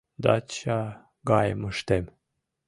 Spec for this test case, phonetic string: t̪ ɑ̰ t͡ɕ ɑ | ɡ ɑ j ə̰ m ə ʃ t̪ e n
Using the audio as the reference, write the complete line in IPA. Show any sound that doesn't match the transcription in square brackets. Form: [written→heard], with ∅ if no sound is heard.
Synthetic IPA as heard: [t̪→d̪] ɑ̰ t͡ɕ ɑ | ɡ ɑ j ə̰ m ə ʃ t̪ e [n→m]